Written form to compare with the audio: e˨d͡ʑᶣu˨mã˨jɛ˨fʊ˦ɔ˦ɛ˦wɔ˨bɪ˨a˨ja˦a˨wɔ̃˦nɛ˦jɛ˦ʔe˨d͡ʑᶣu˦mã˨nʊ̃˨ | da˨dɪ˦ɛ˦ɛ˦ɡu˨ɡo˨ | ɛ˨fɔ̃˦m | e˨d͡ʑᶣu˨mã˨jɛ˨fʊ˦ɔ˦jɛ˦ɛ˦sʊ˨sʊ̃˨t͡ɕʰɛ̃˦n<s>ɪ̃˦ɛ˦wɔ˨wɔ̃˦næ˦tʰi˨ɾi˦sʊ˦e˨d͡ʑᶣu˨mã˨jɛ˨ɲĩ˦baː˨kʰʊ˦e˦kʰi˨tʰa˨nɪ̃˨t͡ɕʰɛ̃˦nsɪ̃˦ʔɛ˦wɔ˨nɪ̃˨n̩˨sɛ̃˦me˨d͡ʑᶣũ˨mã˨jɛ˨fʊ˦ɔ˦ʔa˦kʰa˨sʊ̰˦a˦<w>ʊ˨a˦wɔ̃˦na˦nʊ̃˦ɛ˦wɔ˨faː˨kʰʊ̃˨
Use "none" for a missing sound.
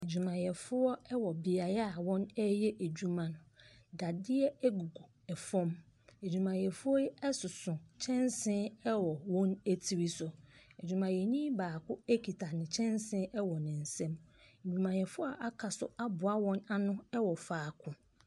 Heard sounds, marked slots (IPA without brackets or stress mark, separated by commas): s, b